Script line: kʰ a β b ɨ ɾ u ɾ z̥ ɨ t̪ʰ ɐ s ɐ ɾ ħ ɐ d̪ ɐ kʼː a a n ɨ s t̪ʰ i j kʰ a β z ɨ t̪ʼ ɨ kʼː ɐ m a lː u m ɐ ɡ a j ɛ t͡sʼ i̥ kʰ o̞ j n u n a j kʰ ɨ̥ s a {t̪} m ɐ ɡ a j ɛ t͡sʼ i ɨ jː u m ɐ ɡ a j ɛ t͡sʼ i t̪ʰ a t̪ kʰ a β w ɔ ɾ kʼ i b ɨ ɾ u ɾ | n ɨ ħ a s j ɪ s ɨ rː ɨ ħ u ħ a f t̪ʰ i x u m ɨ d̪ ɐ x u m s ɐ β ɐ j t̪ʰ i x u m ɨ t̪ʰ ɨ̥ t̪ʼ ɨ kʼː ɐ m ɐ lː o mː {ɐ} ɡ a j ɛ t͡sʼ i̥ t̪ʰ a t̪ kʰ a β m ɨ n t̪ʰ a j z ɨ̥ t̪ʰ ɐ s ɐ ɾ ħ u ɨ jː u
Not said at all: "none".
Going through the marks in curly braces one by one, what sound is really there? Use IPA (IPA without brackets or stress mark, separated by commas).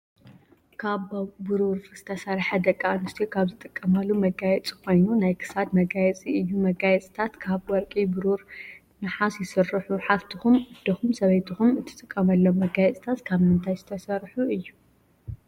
d̪, ɐ